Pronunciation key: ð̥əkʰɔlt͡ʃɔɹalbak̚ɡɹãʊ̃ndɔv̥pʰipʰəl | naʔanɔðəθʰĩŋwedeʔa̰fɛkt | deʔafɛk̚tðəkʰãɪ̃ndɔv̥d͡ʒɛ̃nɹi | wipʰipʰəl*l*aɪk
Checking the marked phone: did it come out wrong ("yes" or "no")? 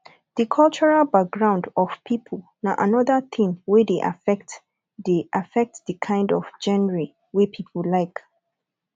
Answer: no